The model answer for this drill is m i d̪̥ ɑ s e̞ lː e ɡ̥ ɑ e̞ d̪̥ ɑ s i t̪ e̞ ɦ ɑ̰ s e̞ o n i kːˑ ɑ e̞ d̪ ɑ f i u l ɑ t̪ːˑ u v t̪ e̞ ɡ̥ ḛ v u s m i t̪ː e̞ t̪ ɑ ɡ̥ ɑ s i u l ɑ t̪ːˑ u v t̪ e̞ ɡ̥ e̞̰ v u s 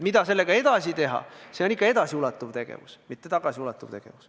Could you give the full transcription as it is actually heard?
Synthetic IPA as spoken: m i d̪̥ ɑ s e̞ lː e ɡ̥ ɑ e̞ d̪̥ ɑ s i t̪ e̞ ɦ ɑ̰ s e̞ o n i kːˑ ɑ e̞ d̪ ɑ s i u l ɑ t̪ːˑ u v t̪ e̞ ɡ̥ ḛ v u s m i t̪ː e̞ t̪ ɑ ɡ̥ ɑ s i u l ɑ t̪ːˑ u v t̪ e̞ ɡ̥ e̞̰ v u s